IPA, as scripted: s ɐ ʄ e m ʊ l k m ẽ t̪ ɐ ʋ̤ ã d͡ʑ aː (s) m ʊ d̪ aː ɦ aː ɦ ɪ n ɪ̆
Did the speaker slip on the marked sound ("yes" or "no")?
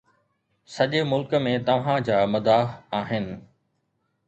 yes